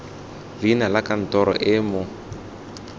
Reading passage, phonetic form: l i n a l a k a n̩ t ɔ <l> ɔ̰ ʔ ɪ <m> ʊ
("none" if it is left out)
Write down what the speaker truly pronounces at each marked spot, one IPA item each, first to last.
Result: ɾ, m

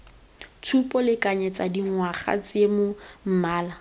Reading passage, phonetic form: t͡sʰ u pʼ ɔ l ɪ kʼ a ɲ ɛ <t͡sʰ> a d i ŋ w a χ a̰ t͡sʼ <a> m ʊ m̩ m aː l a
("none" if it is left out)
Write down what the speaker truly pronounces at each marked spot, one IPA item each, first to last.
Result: t͡s, e

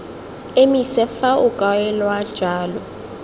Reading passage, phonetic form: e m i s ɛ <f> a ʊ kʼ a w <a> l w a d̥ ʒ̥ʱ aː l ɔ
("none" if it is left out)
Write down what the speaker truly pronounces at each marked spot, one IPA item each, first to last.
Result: f, ɛ

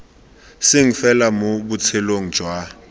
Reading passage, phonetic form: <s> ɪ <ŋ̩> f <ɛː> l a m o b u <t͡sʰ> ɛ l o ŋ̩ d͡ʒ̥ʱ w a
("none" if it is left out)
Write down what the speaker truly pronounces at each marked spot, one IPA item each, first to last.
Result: s, ŋ̩, ɛ, t͡sʰ

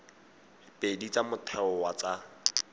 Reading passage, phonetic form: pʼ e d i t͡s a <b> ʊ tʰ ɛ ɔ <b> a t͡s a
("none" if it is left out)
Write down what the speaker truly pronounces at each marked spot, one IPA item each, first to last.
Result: m, w

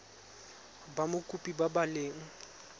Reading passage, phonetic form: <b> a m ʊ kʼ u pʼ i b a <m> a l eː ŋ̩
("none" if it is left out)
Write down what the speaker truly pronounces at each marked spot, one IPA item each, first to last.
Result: b, b

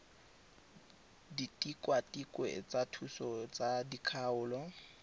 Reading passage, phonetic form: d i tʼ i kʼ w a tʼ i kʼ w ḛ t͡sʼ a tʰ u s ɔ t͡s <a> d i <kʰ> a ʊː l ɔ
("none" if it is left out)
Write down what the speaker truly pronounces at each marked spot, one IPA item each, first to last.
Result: a, kʰ

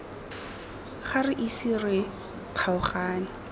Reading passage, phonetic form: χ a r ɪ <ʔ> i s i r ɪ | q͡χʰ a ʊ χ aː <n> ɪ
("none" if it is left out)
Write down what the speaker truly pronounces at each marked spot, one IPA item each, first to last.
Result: ʔ, n

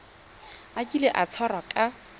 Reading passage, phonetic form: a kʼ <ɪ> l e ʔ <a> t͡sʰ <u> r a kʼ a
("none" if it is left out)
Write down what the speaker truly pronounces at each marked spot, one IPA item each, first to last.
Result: i, a, ɔ

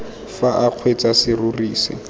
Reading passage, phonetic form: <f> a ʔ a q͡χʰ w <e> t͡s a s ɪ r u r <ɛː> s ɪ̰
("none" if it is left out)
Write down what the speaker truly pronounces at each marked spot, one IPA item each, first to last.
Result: f, e, iː

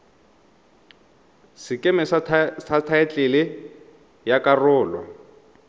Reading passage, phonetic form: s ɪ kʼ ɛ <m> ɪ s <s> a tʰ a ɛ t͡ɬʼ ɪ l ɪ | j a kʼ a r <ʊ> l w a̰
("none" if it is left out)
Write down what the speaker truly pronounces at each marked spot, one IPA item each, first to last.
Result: m, s, ʊː

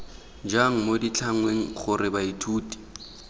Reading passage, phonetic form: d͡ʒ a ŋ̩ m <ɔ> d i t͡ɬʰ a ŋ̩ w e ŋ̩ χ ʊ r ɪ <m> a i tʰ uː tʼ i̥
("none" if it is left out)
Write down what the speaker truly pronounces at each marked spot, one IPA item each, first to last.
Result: o, b

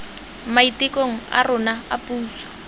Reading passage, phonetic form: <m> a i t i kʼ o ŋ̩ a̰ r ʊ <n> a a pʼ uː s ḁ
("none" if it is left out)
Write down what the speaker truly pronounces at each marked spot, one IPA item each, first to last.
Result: m, n

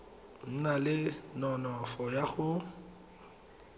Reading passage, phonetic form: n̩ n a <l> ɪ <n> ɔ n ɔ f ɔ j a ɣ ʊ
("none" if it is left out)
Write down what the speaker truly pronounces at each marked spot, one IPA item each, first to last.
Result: l, n

